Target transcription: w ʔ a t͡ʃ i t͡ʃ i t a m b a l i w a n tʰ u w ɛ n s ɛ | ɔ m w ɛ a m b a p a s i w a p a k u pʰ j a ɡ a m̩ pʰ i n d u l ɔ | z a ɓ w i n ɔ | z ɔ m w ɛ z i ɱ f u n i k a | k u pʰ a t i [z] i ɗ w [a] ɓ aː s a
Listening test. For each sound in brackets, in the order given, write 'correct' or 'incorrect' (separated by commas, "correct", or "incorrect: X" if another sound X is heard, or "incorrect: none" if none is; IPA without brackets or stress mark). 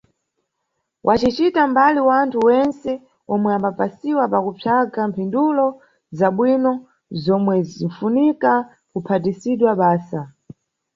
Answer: incorrect: s, correct